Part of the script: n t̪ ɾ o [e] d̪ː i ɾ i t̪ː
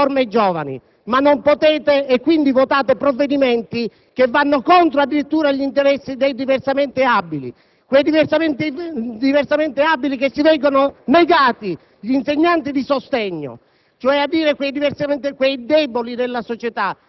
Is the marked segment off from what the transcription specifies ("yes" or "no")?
yes